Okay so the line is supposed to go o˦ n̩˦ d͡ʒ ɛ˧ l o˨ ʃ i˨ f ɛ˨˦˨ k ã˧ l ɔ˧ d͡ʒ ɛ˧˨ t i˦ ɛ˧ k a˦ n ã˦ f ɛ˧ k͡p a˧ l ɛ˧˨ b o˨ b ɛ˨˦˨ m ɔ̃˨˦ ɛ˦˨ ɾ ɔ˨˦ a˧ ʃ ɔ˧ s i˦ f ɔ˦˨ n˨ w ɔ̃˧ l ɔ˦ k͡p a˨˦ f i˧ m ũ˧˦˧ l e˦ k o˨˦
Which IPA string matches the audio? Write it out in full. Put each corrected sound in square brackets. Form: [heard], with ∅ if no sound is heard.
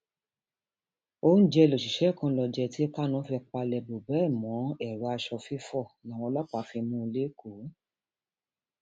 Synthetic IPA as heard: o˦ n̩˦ d͡ʒ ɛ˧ l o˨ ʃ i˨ [ʃ] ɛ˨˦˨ k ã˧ l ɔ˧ d͡ʒ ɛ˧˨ t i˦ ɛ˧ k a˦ n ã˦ f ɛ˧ k͡p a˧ l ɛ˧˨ b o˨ b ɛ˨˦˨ m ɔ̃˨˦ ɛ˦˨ ɾ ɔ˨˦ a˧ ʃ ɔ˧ [f] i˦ f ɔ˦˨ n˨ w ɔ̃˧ l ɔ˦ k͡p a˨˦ f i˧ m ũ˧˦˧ l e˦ k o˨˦